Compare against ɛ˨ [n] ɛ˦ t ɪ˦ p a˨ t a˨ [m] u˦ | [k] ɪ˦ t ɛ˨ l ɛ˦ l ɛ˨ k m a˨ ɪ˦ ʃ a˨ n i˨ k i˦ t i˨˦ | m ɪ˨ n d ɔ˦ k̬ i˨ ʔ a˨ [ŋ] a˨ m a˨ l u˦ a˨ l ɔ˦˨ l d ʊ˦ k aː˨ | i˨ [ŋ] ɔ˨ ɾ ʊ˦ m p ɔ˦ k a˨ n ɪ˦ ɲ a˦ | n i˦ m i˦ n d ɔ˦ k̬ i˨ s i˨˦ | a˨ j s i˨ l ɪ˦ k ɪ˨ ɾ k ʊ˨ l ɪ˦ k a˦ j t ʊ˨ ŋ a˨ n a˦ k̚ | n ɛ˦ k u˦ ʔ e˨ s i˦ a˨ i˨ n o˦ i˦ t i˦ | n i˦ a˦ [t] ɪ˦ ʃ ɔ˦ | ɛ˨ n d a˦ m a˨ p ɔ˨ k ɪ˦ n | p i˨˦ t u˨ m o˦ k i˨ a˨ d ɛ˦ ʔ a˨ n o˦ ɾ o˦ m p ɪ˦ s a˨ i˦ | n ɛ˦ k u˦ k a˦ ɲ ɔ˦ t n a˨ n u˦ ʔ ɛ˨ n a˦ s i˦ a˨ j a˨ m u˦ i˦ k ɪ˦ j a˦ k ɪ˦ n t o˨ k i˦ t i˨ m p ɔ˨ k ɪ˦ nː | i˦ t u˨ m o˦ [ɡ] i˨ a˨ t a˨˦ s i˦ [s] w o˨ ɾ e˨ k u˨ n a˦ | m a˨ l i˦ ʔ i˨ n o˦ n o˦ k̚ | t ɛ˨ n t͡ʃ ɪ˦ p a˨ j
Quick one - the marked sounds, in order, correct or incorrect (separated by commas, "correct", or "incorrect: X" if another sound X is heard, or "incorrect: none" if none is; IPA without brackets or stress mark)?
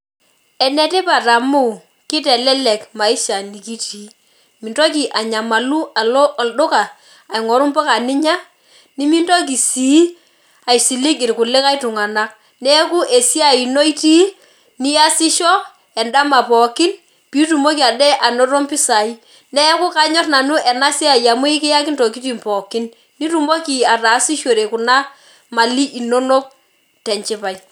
correct, correct, correct, incorrect: ɲ, correct, incorrect: s, incorrect: k, incorrect: ʃ